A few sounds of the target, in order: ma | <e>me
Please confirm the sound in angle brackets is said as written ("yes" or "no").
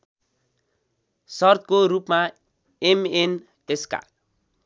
yes